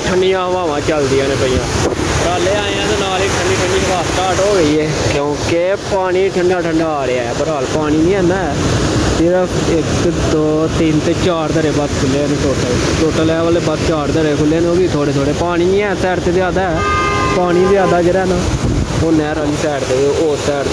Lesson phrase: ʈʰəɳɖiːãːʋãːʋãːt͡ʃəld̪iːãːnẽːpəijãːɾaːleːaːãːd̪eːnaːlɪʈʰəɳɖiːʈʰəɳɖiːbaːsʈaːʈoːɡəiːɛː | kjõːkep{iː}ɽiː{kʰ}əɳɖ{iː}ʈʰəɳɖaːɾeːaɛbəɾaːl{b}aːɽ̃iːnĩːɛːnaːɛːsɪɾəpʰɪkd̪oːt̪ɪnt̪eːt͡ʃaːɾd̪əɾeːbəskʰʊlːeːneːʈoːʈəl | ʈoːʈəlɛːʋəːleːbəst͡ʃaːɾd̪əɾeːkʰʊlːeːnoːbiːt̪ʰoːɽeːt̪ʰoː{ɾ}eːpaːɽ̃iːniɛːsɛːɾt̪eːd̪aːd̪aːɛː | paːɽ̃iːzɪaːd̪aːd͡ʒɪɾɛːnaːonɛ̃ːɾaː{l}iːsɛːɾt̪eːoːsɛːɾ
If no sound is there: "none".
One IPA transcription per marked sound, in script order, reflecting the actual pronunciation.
aː, ʈʰ, aː, p, ɽ, l

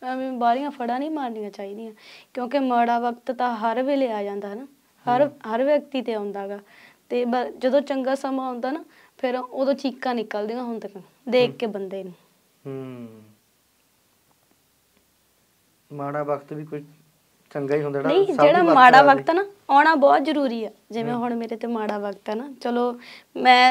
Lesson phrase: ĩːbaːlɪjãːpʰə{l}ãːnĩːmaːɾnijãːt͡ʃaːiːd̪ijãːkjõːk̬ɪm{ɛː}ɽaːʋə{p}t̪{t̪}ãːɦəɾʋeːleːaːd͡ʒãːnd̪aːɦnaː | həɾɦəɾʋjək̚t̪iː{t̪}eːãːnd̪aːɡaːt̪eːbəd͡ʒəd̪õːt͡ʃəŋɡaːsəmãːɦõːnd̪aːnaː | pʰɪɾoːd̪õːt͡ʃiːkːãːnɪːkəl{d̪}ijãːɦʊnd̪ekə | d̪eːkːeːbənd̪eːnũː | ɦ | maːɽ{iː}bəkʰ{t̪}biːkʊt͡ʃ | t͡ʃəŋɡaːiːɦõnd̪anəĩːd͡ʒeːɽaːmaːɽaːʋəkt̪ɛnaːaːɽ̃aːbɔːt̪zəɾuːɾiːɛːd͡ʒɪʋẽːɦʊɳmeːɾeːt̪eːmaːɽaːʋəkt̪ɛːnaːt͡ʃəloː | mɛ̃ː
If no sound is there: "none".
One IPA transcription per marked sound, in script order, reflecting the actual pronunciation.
ɽ, aː, k, t̪, t̪, d̪, aː, t̪

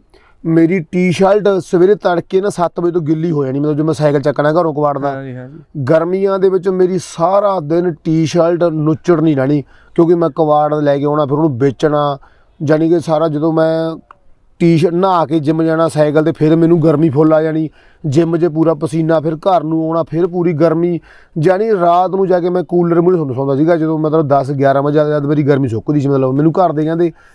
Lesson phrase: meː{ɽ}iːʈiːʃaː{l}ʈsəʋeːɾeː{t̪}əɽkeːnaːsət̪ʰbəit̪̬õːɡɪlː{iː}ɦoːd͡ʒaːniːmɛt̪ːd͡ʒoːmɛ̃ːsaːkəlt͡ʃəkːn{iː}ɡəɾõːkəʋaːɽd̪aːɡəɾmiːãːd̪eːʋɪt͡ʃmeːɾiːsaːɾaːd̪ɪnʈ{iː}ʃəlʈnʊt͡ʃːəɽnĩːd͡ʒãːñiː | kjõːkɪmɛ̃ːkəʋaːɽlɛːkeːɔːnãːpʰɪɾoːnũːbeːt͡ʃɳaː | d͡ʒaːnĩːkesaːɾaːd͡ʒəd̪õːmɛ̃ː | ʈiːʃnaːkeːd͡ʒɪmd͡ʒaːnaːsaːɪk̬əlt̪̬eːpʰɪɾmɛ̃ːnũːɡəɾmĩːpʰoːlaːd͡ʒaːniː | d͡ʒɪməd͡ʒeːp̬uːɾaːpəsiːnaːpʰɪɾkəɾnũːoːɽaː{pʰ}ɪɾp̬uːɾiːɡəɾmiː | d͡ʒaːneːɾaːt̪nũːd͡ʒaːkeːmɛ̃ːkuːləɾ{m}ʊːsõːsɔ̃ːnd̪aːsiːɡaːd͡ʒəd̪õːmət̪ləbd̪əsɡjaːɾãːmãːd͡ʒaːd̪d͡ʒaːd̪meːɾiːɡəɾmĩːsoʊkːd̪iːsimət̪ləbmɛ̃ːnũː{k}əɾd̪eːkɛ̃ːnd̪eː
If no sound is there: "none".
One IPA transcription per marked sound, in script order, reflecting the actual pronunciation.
ɾ, l, t̪, iː, aː, iː, pʰ, m, k

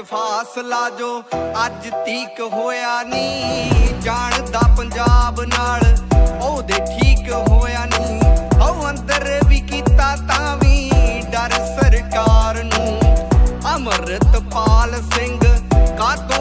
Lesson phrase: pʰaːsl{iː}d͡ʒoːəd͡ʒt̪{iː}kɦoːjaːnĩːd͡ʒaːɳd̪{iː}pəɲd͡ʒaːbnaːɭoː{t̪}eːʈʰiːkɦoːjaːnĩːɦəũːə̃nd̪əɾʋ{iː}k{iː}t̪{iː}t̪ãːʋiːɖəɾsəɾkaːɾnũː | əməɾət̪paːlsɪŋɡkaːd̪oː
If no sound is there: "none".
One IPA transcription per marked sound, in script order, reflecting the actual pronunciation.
aː, iː, aː, d̪, iː, iː, aː

